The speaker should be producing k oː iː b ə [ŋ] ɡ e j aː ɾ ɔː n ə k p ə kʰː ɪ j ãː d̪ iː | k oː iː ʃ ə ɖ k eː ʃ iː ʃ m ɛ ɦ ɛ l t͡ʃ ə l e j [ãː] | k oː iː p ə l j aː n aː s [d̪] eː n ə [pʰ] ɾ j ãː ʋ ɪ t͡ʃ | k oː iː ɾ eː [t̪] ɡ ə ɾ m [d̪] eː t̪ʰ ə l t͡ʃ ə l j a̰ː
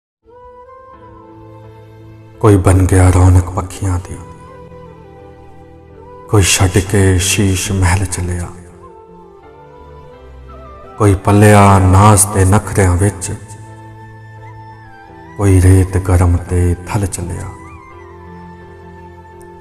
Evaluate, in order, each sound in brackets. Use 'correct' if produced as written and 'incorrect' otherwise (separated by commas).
incorrect, incorrect, incorrect, incorrect, correct, incorrect